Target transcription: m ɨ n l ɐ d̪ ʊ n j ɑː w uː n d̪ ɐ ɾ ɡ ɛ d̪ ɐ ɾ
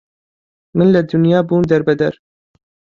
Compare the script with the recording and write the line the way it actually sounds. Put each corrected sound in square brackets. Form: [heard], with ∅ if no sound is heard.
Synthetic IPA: m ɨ n l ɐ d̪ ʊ n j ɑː [b] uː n d̪ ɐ ɾ [b] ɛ d̪ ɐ ɾ